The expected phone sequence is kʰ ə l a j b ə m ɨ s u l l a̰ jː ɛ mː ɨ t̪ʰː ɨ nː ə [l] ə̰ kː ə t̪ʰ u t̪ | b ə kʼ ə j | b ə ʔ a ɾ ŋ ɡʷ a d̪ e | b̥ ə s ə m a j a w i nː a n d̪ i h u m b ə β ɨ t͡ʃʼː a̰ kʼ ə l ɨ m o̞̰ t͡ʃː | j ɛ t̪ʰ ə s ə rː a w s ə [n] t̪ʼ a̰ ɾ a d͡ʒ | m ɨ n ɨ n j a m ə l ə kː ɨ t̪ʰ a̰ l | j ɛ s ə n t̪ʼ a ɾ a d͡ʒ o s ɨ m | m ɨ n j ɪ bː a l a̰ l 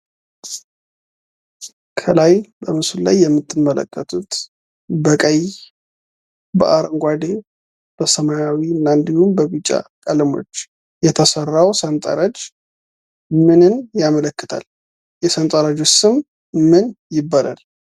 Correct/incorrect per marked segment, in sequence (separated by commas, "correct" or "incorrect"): correct, correct